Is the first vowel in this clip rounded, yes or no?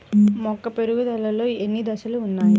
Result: yes